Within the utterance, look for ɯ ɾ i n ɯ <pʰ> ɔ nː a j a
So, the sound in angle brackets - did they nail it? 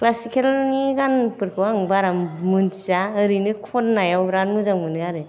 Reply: no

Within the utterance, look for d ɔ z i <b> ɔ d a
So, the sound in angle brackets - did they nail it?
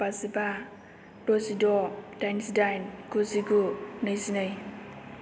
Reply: no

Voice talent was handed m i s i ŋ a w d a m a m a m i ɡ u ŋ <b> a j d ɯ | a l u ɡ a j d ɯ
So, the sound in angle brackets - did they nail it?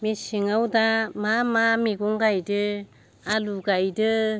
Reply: no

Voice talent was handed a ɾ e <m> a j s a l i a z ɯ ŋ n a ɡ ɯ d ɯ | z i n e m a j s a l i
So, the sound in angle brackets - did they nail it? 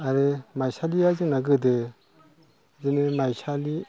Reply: yes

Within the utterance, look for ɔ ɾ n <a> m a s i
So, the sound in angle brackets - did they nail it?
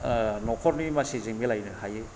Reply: no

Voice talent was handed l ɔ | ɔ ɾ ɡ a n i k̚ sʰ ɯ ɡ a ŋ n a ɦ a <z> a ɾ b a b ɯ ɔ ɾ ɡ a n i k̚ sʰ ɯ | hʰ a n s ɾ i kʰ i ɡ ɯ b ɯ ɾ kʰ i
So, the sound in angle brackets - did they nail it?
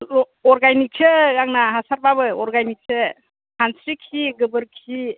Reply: no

